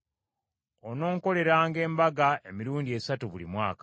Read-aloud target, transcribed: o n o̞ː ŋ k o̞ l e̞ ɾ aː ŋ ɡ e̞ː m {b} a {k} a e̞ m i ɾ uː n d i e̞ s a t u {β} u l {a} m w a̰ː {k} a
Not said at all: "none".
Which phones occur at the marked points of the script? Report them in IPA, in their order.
b, ɡ, β, i, k

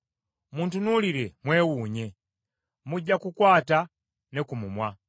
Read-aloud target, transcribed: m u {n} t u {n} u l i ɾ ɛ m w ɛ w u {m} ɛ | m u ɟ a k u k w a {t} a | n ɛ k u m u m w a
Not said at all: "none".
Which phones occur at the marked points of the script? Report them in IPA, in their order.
n, n, ɲ, t

